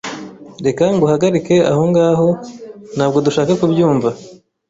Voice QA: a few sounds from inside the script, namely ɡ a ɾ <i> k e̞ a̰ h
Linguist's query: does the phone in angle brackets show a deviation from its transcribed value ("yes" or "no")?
no